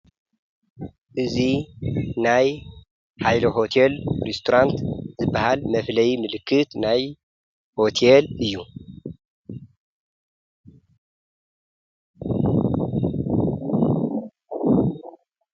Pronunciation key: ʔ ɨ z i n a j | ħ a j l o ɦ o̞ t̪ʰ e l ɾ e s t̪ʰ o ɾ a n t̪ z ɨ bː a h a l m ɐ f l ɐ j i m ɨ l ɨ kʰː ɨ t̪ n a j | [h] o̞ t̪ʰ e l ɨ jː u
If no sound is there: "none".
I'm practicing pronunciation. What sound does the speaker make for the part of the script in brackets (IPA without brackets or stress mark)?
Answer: h